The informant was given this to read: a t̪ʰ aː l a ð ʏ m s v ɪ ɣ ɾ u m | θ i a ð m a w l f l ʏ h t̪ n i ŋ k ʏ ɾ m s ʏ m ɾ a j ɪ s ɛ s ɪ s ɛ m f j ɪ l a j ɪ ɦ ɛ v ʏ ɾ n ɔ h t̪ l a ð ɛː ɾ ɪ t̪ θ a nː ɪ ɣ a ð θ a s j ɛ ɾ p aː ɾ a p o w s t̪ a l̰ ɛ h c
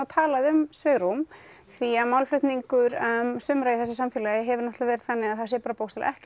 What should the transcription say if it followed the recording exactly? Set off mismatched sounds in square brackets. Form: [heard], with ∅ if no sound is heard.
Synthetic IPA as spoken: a t̪ʰ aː l a ð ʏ m s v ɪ ɣ ɾ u m | θ i a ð m a w l f l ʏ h t̪ n i ŋ k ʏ ɾ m s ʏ m ɾ a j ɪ [θ] ɛ s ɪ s [a] m f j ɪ l a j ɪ ɦ ɛ v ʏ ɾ n ɔ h t̪ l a [v] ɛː ɾ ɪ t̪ θ a nː ɪ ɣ a ð θ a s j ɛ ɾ p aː ɾ a p o w s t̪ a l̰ ɛ h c